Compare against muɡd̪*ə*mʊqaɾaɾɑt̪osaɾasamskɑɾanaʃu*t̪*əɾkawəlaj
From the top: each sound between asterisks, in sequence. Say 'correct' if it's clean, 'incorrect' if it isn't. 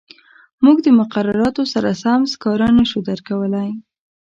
correct, incorrect

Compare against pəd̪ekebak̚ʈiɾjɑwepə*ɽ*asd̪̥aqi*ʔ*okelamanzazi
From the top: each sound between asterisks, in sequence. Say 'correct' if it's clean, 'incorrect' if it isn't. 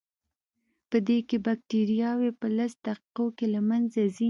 incorrect, incorrect

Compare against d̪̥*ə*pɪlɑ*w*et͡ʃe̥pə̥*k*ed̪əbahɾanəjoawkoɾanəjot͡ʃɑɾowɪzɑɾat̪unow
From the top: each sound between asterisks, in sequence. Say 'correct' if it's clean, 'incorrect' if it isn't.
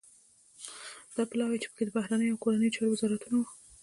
incorrect, correct, correct

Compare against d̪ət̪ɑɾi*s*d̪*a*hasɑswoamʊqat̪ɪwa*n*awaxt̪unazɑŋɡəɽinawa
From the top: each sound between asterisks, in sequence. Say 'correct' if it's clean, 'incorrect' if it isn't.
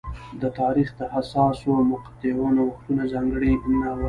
incorrect, incorrect, correct

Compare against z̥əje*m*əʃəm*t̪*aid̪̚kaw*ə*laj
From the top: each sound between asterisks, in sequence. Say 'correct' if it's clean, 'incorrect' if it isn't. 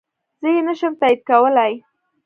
incorrect, correct, correct

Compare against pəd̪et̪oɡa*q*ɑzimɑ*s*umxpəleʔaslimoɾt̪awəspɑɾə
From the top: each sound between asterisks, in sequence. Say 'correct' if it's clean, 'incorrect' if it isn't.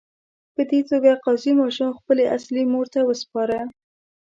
correct, incorrect

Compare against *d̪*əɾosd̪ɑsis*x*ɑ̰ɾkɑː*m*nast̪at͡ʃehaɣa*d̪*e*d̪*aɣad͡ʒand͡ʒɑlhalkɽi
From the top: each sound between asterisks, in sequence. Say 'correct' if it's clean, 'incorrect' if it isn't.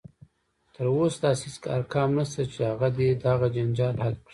incorrect, incorrect, correct, correct, correct

